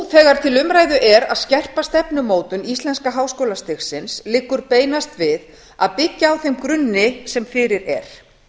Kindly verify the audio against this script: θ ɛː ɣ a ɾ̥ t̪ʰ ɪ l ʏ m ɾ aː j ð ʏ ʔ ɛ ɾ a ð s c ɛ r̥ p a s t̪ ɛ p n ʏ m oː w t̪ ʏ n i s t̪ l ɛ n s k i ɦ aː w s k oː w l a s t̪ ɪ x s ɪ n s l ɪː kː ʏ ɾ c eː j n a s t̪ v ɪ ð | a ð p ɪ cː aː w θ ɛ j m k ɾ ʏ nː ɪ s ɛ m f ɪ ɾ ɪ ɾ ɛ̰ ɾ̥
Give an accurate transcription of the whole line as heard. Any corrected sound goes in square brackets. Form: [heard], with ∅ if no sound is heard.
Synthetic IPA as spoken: θ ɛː ɣ a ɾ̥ t̪ʰ ɪ l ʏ m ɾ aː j ð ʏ ʔ ɛ ɾ a ð s c ɛ r̥ p a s t̪ ɛ p n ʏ m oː w t̪ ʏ n i s t̪ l ɛ n s k [a] ɦ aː w s k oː w l a s t̪ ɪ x s ɪ n s l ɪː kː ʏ ɾ [p] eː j n a s t̪ v ɪ ð | a ð p ɪ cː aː w θ [e] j m k ɾ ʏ nː ɪ s ɛ m f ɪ ɾ ɪ ɾ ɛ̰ ɾ̥